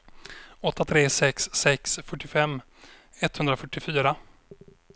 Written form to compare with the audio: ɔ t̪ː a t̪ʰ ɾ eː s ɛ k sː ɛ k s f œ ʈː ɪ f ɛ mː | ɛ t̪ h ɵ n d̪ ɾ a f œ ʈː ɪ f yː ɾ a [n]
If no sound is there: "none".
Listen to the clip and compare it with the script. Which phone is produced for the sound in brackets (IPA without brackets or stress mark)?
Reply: none